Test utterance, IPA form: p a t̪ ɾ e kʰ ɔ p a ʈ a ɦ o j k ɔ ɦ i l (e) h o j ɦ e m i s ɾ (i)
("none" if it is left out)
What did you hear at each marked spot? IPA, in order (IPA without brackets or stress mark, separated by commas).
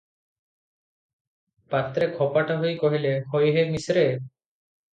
e, e